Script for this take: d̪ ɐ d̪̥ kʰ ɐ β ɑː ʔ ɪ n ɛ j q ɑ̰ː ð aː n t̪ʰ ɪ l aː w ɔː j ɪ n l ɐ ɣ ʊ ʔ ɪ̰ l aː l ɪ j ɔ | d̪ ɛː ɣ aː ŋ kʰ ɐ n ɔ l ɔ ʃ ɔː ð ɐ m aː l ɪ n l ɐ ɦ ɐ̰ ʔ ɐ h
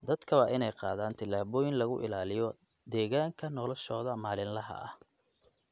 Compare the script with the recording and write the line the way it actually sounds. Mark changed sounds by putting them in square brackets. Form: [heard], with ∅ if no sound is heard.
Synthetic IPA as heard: d̪ ɐ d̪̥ kʰ ɐ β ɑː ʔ ɪ n ɛ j q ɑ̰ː ð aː n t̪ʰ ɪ l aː [β] ɔː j ɪ n l ɐ ɣ ʊ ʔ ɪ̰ l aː l ɪ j ɔ | d̪ ɛː ɣ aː ŋ kʰ ɐ n ɔ l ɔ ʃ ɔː ð ɐ m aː l ɪ n l ɐ ɦ ɐ̰ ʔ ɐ h